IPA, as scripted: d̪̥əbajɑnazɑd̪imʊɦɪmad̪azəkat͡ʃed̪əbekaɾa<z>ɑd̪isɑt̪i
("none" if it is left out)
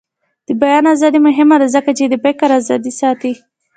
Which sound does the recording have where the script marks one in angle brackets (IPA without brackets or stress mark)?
z